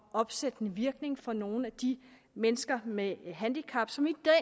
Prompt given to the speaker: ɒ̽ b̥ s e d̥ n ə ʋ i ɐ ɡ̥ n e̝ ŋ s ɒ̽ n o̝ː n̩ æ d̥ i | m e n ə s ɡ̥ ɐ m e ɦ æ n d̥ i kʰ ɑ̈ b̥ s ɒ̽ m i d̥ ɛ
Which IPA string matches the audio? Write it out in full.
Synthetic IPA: ɒ̽ b̥ s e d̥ n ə ʋ i ɐ ɡ̥ n e̝ ŋ f ɒ̽ n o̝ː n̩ æ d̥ i | m e n ə s ɡ̥ ɐ m e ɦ æ n d̥ i kʰ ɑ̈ b̥ s ɒ̽ m i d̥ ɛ

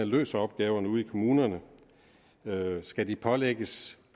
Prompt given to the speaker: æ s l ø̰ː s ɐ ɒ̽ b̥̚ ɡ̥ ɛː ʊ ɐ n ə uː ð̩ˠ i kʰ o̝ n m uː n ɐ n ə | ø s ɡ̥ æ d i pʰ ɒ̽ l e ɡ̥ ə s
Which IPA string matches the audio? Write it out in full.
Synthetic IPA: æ l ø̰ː s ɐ ɒ̽ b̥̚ ɡ̥ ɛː ʊ ɐ n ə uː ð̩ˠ i kʰ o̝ m uː n ɐ n ə | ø s ɡ̥ æ d i pʰ ɒ̽ l e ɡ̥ ə s

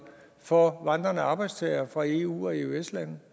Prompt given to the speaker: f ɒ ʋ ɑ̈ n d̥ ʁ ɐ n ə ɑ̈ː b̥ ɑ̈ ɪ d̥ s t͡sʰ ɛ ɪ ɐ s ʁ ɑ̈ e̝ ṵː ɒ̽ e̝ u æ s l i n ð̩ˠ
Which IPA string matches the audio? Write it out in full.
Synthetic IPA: f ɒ ʋ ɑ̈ n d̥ ʁ ɐ n ə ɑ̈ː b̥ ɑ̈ ɪ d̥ s t͡sʰ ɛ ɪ ɐ f ʁ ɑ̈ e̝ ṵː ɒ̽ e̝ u e s l æ n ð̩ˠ

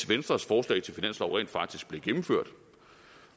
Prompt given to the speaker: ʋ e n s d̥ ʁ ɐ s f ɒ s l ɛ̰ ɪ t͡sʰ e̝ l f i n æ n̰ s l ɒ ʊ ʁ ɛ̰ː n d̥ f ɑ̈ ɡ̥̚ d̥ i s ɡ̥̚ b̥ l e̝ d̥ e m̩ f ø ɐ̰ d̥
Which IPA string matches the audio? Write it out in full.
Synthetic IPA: ʋ e n s d̥ ʁ ɐ s f ɒː s l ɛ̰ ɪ t͡sʰ e̝ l f i n æ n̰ s l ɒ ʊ ʁ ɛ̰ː n d̥ f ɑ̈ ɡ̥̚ d̥ i s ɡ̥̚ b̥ l e̝ ɡ̥ e m̩ f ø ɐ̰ d̥

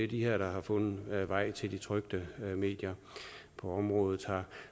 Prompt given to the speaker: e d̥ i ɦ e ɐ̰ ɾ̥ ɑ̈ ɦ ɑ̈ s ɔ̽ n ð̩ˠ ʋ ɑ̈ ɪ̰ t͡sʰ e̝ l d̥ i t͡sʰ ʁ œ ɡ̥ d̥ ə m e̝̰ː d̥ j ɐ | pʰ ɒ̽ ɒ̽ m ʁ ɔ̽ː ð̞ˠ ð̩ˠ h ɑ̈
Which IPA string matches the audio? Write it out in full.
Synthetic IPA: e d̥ i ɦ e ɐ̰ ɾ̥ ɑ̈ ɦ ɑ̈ f ɔ̽ n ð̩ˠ ʋ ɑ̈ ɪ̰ t͡sʰ e̝ l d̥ i t͡sʰ ʁ œ ɡ̥ d̥ ə m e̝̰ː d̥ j ɐ | pʰ ɒ̽ ɒ̽ m ʁ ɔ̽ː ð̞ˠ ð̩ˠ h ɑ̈

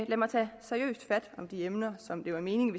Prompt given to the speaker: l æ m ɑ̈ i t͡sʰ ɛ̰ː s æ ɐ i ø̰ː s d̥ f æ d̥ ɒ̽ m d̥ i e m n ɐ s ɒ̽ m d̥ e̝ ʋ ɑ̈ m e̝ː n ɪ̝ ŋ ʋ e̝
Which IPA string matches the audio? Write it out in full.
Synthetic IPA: l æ m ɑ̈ ɪ t͡sʰ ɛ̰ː s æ ɐ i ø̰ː s d̥ f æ d̥ ɒ̽ m d̥ i e m n ɐ s ɒ̽ m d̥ e̝ ʋ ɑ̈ m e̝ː n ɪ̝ ŋ ʋ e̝

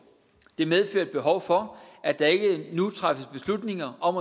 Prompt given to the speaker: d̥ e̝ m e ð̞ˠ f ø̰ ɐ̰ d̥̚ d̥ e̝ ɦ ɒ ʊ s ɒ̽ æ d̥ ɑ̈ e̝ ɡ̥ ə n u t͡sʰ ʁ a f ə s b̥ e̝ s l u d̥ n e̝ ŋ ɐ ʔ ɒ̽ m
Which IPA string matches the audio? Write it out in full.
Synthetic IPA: d̥ e̝ m e ð̞ˠ f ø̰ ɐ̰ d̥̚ b̥ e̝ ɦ ɒ ʊ f ɒ̽ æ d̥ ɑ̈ e̝ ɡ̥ ə n u t͡sʰ ʁ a f ə s b̥ e̝ s l u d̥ n e̝ ŋ ɐ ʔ ɒ̽ m

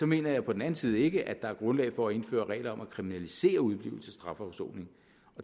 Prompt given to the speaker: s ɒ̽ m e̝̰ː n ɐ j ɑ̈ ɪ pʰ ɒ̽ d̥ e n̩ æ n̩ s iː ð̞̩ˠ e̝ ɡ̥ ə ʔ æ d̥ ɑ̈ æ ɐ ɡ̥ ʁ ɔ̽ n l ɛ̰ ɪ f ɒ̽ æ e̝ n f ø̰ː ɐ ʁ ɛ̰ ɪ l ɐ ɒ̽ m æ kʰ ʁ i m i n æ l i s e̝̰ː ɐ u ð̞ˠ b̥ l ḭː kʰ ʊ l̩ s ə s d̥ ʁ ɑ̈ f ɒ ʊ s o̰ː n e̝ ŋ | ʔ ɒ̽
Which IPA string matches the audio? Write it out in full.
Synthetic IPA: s ɒ̽ m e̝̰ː n ɐ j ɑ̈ ɪ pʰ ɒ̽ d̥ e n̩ æ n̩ s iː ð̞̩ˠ e̝ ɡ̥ ə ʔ æ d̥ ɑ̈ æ ɐ ɡ̥ ʁ ɔ̽ n l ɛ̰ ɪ f ɒ̽ æ e̝ n f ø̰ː ɐ ʁ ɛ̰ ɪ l ɐ ɒ̽ m æ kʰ ʁ i m i n æ l i s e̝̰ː ɐ u ð̞ˠ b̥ l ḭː ʊ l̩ s ə s d̥ ʁ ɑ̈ f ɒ ʊ s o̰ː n e̝ ŋ | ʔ ɒ̽

